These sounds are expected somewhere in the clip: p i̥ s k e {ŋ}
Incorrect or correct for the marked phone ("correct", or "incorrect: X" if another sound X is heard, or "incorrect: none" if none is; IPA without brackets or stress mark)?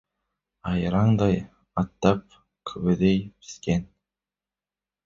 incorrect: n